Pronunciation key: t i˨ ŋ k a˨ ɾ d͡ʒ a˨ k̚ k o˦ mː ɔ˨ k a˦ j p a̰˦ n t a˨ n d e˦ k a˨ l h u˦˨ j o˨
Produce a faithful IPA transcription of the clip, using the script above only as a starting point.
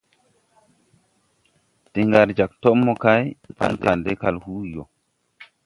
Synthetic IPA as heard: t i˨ ŋ ɡ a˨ ɾ d͡ʒ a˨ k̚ t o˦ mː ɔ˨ k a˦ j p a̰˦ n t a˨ n d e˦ k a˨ l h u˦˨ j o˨